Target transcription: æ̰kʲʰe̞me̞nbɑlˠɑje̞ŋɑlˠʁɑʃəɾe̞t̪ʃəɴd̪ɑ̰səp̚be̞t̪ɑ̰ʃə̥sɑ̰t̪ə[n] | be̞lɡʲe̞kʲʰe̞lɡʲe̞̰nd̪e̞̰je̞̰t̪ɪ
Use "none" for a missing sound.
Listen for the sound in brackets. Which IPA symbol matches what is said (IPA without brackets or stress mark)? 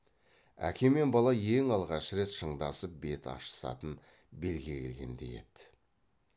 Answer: n